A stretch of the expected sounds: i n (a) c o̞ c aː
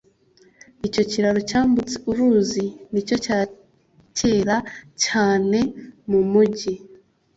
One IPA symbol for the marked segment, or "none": i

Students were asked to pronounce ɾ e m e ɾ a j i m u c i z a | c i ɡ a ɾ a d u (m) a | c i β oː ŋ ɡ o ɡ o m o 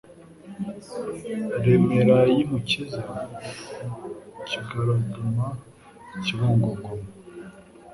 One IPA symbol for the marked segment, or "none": m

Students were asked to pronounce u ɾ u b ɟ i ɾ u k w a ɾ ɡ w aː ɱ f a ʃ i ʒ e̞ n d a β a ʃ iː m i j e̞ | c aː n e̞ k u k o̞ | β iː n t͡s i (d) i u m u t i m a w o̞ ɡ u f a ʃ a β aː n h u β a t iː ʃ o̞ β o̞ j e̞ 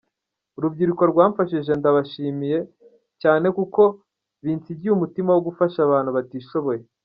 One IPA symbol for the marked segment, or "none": ɟ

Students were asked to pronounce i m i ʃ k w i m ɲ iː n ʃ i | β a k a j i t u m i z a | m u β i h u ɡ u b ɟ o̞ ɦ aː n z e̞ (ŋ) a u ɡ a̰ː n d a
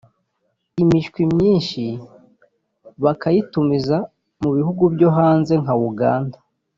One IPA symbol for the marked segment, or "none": ŋ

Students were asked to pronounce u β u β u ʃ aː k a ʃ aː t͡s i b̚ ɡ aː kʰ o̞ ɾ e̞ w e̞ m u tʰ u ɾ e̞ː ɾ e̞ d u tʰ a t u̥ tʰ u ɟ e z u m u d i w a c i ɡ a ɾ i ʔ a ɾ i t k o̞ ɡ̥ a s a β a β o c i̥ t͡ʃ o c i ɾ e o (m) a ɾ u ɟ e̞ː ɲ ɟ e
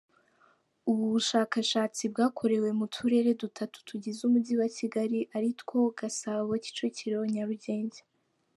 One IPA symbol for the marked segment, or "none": ɲ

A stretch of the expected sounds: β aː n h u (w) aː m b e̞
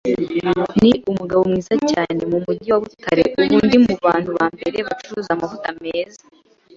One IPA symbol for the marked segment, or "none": β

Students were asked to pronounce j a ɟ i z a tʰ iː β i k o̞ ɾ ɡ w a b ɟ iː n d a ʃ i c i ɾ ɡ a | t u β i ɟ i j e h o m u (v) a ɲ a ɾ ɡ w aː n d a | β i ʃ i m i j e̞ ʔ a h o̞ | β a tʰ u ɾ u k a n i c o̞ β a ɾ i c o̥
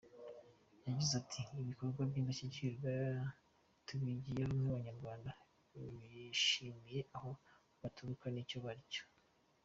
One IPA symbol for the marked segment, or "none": β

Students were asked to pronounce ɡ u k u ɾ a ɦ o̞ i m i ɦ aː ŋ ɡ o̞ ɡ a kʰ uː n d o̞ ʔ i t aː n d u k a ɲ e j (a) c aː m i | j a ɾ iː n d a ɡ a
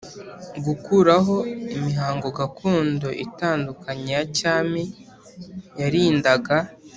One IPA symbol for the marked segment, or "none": a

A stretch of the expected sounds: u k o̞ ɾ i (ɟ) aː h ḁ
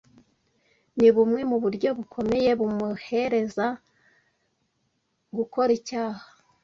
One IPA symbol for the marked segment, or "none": c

